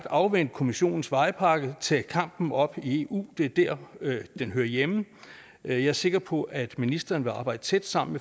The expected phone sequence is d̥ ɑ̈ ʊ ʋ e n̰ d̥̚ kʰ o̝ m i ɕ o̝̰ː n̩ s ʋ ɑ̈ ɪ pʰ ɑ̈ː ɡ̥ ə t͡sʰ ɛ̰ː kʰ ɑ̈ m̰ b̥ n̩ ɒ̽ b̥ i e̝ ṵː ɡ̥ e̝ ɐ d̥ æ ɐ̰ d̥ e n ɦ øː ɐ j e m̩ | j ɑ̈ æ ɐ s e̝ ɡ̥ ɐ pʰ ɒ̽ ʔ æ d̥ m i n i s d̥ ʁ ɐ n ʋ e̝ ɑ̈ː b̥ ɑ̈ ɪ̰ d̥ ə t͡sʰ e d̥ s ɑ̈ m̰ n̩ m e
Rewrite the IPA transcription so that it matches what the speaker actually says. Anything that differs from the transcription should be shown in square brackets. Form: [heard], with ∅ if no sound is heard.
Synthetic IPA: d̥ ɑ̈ ʊ ʋ e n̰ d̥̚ kʰ o̝ m i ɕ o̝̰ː n̩ s ʋ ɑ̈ ɪ pʰ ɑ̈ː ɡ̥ ə t͡sʰ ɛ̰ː kʰ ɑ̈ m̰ b̥ n̩ ɒ̽ b̥ i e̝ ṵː [d̥] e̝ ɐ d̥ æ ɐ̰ d̥ e n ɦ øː ɐ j e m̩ | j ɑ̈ æ ɐ s e̝ ɡ̥ ɐ pʰ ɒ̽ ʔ æ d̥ m i n i s d̥ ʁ ɐ n ʋ e̝ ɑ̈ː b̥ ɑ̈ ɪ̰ d̥ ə t͡sʰ e d̥ s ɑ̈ m̰ n̩ m e